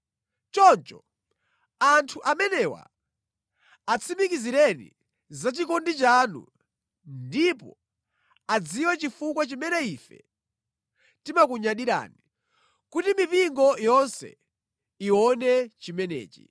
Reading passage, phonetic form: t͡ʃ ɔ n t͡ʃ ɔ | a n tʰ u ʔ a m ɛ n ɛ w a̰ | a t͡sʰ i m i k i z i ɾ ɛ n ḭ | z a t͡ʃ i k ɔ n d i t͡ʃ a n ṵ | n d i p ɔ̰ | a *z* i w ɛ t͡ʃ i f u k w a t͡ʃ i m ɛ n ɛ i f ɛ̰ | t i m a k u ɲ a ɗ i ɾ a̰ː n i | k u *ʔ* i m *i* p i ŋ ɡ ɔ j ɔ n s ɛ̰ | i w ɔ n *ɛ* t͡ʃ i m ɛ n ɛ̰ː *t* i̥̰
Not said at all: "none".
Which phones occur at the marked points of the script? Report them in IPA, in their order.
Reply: d͡z, t, i, ɛ, t͡ʃ

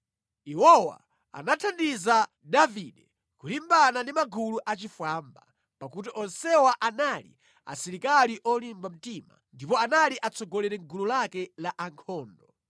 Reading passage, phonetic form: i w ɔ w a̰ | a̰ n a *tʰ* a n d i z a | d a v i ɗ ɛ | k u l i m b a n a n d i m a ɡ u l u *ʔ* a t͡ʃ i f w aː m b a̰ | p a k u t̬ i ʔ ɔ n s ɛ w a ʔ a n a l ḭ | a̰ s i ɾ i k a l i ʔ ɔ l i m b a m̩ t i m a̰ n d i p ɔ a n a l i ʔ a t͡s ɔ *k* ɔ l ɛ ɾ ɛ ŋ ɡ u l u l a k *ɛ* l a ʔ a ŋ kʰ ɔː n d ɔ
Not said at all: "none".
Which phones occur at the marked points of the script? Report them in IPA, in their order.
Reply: tʰ, ʔ, ɡ, ɛ

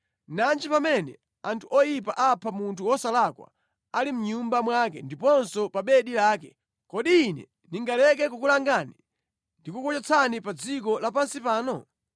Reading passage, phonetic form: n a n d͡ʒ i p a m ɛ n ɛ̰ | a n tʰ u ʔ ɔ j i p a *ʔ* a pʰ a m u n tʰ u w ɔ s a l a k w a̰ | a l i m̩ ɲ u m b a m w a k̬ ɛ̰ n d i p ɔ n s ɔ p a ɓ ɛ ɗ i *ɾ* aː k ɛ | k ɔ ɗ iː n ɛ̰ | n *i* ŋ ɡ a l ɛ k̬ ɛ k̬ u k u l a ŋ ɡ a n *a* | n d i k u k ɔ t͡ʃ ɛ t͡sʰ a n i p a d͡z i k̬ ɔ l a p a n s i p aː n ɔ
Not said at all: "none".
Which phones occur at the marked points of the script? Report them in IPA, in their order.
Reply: ʔ, l, i, i

